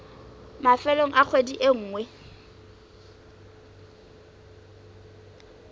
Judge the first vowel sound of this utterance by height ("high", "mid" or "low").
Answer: low